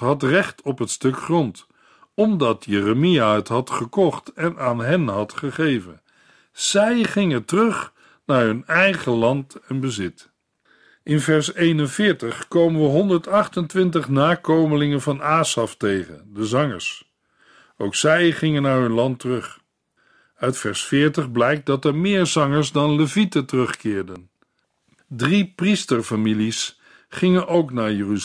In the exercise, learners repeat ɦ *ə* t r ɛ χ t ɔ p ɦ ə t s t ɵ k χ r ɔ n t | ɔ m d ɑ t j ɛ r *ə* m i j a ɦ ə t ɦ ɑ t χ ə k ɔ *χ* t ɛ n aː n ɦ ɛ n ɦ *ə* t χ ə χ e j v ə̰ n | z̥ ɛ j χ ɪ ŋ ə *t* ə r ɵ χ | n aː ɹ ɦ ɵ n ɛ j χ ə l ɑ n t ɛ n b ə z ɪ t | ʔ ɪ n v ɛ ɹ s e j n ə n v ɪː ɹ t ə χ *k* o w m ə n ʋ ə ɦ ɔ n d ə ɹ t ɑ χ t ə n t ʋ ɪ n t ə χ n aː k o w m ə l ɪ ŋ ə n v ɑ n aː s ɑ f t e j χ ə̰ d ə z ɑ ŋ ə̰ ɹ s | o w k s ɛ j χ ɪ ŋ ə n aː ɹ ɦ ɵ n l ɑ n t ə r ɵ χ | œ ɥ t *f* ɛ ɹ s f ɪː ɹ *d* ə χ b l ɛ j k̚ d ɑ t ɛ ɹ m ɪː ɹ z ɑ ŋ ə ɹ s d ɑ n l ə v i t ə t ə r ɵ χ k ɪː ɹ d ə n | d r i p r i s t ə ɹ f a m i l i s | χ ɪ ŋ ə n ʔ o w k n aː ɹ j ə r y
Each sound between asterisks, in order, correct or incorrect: incorrect, correct, correct, incorrect, correct, correct, correct, incorrect

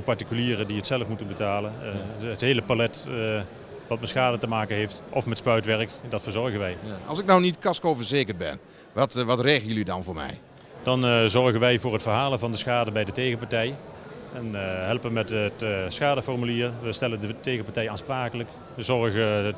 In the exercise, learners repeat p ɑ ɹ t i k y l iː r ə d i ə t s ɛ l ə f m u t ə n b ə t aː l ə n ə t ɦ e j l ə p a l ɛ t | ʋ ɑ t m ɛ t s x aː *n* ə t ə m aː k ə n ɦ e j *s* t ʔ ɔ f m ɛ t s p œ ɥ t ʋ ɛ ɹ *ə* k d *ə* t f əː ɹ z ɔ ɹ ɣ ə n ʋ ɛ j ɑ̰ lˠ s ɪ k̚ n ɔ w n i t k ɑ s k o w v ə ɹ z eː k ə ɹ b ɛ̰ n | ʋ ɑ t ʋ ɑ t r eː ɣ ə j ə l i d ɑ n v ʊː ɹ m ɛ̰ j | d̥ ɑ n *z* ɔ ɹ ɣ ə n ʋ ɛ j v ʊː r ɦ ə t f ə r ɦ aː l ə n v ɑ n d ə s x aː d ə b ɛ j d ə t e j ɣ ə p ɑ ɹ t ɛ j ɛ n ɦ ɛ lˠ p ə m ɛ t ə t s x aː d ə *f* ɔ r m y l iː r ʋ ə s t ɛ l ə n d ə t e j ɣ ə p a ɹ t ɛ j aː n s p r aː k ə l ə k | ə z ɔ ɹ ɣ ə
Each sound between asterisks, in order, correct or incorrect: incorrect, incorrect, correct, incorrect, correct, correct

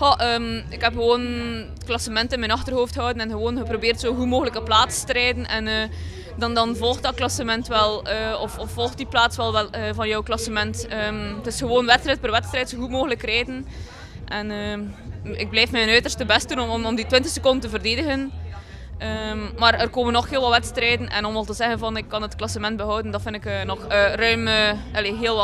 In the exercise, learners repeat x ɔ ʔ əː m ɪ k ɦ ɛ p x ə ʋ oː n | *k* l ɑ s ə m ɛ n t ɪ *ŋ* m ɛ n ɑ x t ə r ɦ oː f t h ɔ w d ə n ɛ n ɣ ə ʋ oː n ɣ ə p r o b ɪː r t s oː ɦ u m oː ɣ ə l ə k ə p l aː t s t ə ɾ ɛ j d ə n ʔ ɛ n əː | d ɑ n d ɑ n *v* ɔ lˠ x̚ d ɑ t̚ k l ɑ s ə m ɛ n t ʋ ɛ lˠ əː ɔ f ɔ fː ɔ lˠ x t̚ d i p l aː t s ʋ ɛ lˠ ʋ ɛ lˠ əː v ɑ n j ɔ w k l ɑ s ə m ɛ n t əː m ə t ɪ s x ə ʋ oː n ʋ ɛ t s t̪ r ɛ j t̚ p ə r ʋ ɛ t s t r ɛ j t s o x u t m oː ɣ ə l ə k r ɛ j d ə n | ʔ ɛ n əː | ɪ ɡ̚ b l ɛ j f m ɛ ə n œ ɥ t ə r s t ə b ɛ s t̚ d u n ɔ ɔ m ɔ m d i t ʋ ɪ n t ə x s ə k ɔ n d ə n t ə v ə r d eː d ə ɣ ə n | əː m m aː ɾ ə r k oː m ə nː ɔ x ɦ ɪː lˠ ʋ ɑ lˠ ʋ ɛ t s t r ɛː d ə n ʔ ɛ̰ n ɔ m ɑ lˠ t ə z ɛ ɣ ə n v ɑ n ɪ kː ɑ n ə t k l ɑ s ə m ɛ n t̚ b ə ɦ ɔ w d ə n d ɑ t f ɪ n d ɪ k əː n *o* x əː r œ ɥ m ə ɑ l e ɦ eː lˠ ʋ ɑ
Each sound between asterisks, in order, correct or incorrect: correct, incorrect, correct, incorrect

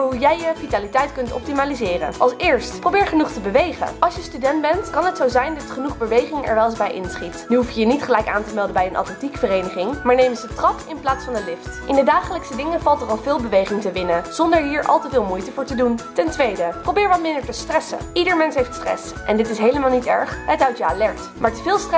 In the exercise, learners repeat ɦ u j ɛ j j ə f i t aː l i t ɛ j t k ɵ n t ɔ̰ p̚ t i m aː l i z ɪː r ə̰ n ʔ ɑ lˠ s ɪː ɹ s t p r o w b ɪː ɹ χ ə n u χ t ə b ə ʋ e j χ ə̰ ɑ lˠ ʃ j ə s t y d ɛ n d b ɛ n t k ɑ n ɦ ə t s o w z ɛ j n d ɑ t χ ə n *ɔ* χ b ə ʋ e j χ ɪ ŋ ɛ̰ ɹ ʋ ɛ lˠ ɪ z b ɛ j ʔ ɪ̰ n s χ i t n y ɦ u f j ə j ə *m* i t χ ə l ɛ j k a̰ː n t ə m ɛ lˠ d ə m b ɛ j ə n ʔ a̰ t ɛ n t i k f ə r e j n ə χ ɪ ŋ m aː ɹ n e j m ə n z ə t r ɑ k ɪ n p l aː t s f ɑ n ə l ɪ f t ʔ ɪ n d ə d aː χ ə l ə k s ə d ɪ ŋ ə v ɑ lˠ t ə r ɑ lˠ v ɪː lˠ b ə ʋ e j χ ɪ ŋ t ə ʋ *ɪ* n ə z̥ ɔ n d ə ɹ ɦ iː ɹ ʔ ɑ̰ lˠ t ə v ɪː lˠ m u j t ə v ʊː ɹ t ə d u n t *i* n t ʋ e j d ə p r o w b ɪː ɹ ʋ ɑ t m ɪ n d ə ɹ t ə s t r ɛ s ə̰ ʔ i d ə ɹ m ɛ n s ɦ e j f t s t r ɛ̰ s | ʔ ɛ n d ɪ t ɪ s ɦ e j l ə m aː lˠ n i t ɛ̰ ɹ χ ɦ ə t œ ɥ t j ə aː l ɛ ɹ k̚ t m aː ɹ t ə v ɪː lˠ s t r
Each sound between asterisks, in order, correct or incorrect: incorrect, incorrect, correct, incorrect

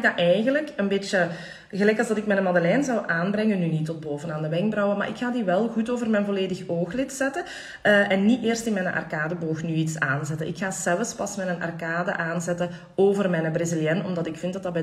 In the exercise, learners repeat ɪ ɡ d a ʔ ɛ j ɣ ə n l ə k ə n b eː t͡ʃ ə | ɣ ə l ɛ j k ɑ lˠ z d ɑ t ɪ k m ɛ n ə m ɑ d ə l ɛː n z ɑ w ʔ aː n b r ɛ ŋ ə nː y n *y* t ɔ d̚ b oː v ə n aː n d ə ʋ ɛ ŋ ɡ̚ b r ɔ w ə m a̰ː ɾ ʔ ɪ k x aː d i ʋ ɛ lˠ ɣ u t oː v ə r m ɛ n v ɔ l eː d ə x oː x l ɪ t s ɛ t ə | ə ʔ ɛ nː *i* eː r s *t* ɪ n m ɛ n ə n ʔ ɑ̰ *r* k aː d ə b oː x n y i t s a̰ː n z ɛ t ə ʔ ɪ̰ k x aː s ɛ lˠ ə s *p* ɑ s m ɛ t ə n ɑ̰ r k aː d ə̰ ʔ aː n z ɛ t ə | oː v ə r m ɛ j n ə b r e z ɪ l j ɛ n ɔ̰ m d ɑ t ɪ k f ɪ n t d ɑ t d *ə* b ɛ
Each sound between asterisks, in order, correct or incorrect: incorrect, correct, correct, correct, correct, incorrect

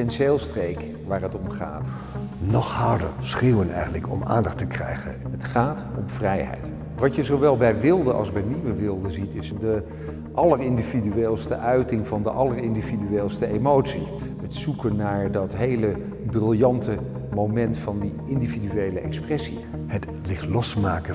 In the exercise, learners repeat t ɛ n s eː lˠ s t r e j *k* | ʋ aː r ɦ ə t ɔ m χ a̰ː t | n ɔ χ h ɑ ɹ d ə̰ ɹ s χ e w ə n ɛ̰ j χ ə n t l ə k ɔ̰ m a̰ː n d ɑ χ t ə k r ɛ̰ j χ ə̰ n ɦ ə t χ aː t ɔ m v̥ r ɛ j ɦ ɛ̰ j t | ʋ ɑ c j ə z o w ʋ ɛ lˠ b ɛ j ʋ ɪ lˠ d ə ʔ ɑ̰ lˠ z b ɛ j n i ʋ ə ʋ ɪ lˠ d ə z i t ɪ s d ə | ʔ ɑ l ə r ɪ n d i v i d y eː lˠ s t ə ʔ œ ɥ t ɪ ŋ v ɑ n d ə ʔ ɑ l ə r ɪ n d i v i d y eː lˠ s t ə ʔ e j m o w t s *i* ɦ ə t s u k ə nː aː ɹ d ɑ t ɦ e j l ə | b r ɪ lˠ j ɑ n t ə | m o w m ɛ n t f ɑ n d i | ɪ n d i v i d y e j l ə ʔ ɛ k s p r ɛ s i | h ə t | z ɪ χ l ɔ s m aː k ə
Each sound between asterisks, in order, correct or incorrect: correct, correct

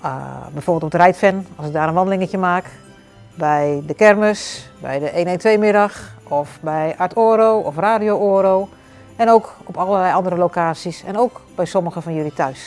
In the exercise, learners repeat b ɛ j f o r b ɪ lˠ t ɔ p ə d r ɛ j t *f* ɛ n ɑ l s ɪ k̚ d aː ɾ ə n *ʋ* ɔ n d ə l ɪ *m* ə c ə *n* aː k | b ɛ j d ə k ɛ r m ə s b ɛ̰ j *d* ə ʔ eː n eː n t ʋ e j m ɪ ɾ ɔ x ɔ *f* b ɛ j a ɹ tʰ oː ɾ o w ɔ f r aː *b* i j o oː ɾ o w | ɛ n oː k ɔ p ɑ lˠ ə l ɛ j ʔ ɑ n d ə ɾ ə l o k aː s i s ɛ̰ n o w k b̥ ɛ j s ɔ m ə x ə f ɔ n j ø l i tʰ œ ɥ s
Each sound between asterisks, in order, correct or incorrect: correct, correct, incorrect, incorrect, correct, correct, incorrect

